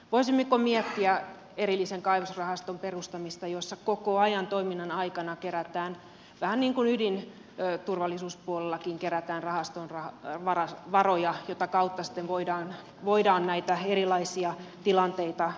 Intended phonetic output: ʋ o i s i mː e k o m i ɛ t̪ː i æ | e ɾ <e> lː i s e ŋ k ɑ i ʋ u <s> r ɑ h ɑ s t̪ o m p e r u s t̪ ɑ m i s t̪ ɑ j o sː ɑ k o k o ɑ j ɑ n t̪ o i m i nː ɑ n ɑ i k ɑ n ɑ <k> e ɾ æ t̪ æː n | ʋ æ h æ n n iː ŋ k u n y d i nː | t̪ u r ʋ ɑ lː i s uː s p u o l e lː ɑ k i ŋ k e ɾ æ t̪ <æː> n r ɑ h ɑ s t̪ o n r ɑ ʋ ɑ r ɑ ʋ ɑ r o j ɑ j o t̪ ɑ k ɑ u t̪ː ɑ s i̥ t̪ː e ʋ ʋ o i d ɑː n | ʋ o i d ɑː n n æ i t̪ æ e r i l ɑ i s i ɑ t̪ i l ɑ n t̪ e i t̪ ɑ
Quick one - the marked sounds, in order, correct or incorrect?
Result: incorrect: i, correct, correct, correct

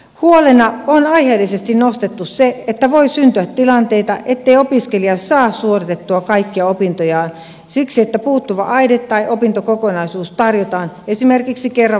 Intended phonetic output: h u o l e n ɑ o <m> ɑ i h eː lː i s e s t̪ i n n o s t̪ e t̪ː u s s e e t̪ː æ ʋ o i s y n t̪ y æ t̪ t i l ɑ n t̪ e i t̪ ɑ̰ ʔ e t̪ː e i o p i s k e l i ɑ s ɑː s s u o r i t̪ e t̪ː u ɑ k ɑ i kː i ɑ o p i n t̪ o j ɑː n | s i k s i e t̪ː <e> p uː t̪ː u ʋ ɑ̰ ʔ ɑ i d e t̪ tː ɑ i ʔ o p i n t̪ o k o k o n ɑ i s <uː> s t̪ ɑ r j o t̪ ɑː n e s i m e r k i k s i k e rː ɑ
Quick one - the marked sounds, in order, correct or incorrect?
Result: incorrect: n, incorrect: æ, correct

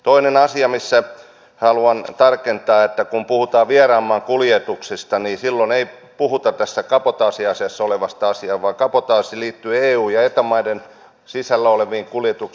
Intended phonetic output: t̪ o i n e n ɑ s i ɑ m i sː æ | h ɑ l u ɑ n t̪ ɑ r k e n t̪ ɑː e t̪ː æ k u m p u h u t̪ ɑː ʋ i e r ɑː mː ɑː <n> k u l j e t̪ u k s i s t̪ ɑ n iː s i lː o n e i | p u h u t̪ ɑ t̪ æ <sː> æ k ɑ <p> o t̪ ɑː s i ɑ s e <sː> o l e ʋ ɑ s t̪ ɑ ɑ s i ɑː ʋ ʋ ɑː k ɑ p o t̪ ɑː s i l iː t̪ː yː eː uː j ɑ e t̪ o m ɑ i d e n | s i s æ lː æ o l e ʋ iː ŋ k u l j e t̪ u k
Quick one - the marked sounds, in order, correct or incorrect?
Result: incorrect: ŋ, correct, correct, correct

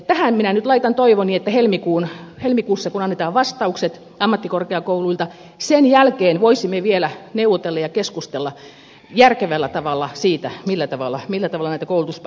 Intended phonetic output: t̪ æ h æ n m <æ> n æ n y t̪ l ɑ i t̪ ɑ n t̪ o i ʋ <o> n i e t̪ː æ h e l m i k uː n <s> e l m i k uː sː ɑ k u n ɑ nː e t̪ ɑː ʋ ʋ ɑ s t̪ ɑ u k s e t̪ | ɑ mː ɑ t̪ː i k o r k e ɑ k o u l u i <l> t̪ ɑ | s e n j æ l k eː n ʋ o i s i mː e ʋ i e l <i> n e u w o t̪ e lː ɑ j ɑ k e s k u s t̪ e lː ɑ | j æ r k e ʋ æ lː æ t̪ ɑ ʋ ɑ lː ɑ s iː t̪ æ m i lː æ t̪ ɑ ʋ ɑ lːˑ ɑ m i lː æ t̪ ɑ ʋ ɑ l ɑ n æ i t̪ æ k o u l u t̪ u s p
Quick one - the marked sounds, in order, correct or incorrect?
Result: incorrect: i, correct, incorrect: h, correct, incorrect: æ

